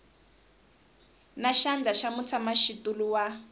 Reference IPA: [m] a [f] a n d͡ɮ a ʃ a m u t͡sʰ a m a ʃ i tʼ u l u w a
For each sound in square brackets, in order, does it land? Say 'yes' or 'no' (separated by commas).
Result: no, no